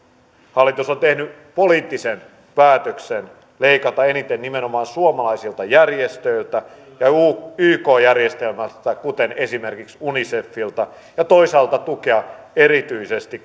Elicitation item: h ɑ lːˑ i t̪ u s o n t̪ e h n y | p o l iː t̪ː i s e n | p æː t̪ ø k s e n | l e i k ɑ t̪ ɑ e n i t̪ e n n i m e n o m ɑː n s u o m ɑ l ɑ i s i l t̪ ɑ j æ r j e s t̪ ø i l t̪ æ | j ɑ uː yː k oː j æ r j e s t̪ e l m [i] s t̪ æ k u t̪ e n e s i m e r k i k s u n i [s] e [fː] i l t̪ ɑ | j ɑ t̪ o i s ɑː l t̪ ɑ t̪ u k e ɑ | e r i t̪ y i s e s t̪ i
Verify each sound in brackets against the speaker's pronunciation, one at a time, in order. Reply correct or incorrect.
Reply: incorrect: æ, correct, correct

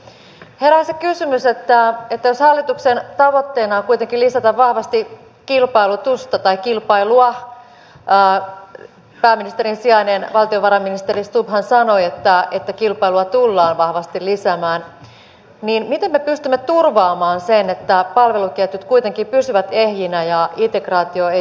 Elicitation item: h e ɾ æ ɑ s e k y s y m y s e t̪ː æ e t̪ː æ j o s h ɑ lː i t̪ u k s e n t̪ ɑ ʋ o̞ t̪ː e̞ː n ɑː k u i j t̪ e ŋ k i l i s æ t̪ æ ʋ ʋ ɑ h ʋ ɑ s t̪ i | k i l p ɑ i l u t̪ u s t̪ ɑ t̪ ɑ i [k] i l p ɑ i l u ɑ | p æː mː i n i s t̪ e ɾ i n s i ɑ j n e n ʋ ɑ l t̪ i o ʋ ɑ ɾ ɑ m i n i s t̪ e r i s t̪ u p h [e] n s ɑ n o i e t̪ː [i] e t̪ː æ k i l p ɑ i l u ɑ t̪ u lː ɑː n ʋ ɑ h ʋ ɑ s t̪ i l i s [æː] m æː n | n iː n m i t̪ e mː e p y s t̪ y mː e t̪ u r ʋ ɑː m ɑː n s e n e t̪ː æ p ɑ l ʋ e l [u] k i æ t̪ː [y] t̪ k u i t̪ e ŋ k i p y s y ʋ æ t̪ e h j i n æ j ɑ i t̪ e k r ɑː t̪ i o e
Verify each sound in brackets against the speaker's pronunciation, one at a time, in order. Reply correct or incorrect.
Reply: correct, incorrect: æ, incorrect: æ, incorrect: æ, correct, correct

